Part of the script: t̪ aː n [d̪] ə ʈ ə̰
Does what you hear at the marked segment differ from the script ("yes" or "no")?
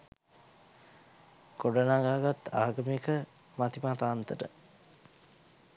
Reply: yes